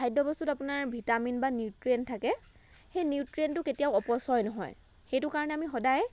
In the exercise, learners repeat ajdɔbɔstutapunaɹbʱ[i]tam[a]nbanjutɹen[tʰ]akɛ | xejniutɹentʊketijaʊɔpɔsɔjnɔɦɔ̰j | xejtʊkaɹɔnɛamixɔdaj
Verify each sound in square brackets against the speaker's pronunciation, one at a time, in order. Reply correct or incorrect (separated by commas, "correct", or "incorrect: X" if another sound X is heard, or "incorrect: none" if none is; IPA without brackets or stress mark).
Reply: correct, incorrect: i, correct